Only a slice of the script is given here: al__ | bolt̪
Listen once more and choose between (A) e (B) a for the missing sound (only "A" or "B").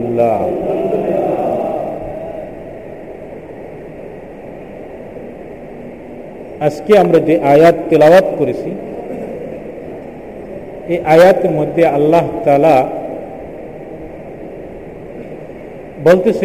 B